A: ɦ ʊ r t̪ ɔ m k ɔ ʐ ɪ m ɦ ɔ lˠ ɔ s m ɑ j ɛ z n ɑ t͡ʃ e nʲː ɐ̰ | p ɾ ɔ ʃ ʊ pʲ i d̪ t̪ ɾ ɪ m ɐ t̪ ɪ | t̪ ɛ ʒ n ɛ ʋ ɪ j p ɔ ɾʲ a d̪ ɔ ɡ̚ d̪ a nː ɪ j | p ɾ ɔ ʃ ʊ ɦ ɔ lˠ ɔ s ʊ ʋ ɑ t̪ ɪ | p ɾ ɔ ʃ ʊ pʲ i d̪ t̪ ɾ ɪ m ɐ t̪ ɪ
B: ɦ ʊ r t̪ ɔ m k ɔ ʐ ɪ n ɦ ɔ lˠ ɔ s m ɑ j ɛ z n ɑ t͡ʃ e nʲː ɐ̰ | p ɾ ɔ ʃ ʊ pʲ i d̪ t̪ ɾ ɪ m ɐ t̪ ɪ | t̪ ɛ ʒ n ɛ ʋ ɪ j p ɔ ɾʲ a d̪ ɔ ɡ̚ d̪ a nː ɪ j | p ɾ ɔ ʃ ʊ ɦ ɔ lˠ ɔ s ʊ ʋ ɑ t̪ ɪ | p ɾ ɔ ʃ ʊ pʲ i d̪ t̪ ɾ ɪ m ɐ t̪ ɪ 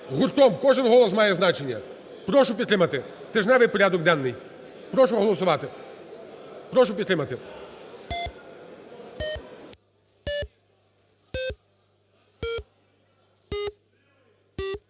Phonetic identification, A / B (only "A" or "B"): B